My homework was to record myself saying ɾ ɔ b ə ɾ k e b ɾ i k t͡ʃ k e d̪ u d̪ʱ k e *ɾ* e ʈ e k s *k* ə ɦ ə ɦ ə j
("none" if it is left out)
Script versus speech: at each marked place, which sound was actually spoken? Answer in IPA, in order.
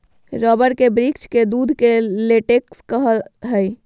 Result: l, k

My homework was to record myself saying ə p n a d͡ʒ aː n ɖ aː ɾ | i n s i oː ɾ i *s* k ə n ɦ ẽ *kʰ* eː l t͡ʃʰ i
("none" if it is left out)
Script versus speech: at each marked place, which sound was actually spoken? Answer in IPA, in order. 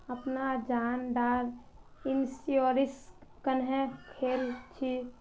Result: s, kʰ

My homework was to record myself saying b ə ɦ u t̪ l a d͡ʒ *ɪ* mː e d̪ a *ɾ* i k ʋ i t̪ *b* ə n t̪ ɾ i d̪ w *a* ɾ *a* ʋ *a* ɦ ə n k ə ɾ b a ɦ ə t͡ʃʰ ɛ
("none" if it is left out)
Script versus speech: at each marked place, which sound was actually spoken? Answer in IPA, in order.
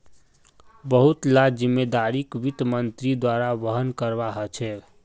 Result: i, ɾ, m, a, a, ə

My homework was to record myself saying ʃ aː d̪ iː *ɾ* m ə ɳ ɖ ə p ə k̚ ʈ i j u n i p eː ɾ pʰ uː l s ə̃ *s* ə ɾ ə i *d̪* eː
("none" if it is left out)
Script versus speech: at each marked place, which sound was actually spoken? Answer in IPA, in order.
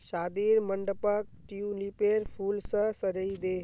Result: ɾ, s, d̪

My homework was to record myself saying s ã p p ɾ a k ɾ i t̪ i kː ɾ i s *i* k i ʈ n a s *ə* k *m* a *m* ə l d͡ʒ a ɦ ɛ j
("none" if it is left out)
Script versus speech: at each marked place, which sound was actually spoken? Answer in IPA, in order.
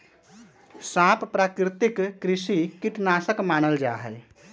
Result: i, ə, m, n

